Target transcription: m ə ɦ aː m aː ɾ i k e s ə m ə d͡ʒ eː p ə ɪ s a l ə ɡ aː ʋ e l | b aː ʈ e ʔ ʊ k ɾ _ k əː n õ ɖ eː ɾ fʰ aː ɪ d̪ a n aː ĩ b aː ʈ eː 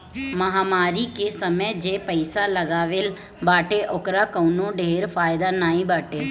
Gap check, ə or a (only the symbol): a